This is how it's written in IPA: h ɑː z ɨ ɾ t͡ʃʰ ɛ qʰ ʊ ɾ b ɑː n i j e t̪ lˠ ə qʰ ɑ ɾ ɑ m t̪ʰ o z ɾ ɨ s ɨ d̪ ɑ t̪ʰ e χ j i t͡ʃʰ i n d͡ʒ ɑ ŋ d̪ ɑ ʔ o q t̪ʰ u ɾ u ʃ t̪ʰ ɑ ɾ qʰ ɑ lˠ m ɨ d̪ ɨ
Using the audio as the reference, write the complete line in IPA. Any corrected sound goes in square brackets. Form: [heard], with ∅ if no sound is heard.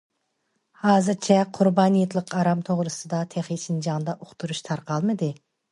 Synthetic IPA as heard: h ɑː z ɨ ɾ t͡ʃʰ ɛ qʰ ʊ ɾ b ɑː n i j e t̪ lˠ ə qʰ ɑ ɾ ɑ m t̪ʰ o [ʁ] ɾ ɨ s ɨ d̪ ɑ t̪ʰ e χ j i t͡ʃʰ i n d͡ʒ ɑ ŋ d̪ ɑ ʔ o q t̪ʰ u ɾ u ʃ t̪ʰ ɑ ɾ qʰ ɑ lˠ m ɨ d̪ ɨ